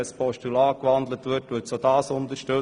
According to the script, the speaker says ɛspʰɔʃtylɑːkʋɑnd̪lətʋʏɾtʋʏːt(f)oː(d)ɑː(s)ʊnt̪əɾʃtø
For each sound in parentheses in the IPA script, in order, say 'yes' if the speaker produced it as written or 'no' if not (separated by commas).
no, yes, yes